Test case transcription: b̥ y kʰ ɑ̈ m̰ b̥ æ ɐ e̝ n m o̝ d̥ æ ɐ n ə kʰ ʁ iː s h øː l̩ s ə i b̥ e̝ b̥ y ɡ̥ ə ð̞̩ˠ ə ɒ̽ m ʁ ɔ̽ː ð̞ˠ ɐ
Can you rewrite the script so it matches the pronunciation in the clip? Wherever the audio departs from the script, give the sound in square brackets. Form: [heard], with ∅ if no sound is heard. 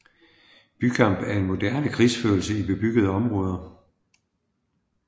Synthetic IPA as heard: b̥ y kʰ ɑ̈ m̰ b̥ æ ɐ e̝ n m o̝ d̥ æ ɐ n ə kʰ ʁ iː s [f] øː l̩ s ə i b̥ e̝ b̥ y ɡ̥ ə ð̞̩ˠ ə ɒ̽ m ʁ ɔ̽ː ð̞ˠ ɐ